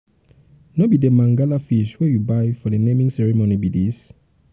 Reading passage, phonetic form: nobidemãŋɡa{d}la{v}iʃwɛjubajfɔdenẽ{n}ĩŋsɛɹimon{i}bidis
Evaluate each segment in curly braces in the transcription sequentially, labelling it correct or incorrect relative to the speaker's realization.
incorrect: none, incorrect: f, incorrect: m, correct

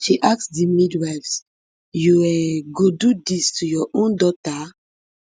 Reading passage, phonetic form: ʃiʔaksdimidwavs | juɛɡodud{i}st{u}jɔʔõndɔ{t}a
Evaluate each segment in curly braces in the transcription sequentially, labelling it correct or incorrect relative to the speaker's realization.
correct, correct, correct

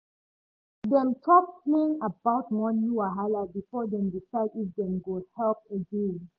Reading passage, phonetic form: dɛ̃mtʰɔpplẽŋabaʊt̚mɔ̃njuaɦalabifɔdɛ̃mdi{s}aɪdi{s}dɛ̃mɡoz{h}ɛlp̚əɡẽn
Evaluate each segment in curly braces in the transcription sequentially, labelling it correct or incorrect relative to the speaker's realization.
incorrect: f, incorrect: f, correct

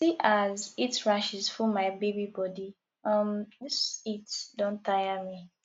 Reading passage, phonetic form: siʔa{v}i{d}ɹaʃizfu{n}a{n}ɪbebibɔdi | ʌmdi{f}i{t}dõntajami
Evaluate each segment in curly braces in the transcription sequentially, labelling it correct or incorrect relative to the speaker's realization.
incorrect: z, incorrect: t, incorrect: m, incorrect: none, incorrect: s, correct

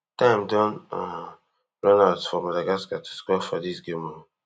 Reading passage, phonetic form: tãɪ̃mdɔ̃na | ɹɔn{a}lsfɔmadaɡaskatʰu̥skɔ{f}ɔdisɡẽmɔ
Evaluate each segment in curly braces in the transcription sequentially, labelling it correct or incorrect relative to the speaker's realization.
correct, correct

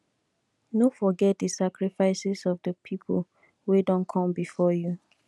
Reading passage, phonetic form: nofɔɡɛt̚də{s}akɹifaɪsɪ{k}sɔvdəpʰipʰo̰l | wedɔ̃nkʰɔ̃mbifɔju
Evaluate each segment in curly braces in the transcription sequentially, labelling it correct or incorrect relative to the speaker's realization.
correct, incorrect: none

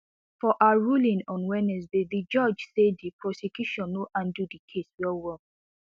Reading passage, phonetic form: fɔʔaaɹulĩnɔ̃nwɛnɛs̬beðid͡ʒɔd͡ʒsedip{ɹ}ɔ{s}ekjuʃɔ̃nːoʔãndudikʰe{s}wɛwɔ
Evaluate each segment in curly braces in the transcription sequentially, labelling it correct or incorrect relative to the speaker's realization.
correct, correct, correct

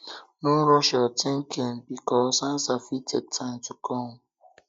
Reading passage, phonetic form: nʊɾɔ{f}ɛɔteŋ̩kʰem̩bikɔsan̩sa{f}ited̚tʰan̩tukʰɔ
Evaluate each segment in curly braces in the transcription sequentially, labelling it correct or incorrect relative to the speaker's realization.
incorrect: ʃ, correct

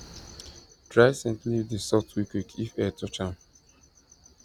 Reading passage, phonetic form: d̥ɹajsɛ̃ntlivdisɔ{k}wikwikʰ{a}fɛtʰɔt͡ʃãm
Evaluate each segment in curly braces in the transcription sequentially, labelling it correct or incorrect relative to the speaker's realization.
incorrect: t, incorrect: i

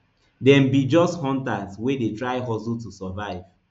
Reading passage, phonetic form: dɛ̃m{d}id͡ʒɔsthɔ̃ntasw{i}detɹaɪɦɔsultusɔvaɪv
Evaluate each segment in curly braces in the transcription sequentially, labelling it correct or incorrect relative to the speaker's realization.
incorrect: b, incorrect: e

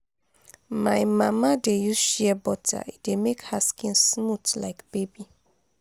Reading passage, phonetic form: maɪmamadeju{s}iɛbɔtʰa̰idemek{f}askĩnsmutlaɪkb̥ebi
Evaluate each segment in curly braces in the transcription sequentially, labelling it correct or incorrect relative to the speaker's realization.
incorrect: ʃ, incorrect: h

